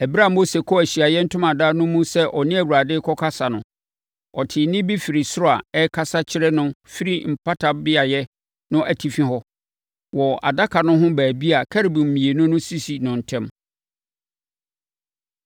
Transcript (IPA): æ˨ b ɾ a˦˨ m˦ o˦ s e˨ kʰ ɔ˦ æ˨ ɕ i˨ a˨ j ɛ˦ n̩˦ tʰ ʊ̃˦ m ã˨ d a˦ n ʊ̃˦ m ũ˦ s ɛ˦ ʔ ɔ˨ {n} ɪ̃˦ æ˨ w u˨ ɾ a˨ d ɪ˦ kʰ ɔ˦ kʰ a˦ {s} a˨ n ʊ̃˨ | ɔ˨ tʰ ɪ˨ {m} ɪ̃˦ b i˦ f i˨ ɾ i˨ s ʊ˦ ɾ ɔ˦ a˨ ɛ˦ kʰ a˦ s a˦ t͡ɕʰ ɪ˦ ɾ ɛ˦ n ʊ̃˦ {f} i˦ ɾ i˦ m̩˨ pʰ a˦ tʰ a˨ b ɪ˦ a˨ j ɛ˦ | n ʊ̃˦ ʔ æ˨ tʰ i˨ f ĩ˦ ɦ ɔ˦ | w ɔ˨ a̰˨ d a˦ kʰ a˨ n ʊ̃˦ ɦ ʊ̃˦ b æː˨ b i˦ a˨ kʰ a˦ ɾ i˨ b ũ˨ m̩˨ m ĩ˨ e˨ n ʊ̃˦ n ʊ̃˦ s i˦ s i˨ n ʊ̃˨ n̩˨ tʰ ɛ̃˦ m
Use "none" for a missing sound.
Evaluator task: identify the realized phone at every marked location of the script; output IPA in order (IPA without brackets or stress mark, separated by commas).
n, s, n, f